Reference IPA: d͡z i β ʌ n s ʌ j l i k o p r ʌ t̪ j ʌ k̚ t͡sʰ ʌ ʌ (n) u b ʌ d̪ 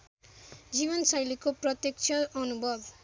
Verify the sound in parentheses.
correct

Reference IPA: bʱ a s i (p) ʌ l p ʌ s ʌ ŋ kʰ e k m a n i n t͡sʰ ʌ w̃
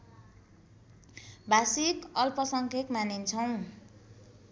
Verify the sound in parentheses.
incorrect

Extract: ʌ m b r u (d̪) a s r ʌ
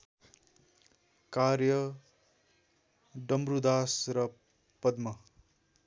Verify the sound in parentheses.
correct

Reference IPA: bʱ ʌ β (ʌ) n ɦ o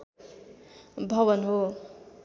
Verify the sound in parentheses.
correct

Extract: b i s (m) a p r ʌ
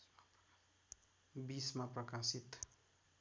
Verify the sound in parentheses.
correct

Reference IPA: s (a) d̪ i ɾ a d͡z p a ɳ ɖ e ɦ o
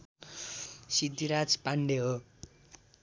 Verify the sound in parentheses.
incorrect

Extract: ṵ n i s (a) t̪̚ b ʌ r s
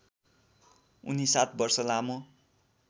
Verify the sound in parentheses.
correct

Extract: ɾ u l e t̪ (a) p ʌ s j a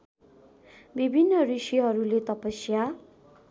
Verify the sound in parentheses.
incorrect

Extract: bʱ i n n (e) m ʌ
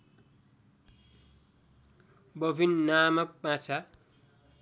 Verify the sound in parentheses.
incorrect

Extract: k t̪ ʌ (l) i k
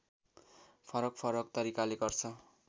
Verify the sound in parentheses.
incorrect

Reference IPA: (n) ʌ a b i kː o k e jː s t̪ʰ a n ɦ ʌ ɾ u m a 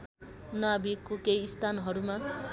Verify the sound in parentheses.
correct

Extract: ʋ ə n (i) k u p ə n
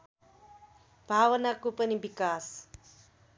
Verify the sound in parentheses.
incorrect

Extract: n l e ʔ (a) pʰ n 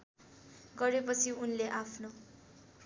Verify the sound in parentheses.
correct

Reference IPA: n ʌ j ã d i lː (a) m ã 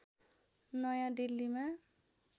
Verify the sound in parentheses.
incorrect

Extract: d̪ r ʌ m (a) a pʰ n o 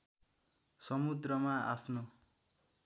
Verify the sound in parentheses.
correct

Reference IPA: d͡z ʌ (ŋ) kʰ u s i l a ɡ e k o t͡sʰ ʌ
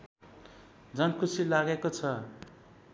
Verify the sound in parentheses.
incorrect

